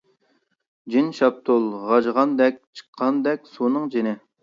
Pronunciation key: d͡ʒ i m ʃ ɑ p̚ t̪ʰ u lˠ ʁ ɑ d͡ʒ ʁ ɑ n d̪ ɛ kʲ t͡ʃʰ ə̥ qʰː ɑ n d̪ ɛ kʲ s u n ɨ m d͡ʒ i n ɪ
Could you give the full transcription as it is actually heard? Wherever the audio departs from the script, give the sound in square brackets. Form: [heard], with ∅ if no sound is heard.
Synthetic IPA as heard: d͡ʒ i [n] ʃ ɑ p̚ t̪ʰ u lˠ ʁ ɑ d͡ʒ ʁ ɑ n d̪ ɛ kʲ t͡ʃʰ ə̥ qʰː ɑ n d̪ ɛ kʲ s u n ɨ [ŋ] d͡ʒ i n ɪ